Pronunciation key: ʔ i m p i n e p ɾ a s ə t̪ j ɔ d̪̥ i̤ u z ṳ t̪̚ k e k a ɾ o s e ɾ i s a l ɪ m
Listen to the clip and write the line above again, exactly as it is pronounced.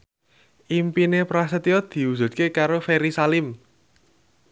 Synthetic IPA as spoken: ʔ i m p i n e p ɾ a s ə t̪ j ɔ d̪̥ i̤ u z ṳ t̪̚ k e k a ɾ o f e ɾ i s a l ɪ m